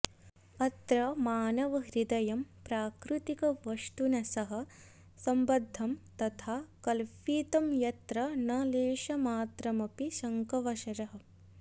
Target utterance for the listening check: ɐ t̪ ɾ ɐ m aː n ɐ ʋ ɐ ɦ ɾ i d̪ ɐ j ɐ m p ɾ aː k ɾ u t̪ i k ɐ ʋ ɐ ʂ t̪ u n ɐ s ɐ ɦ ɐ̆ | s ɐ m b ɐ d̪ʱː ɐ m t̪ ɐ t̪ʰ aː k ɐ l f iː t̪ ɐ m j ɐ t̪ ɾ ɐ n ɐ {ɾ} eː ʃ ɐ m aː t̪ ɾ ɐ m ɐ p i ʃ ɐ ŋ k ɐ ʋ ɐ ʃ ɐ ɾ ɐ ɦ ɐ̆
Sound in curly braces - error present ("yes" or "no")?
yes